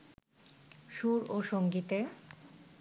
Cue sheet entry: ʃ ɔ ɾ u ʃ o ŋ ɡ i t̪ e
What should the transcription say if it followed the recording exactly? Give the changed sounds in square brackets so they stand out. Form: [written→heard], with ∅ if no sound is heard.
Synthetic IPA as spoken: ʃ [ɔ→u] ɾ [u→o] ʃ o ŋ ɡ i t̪ e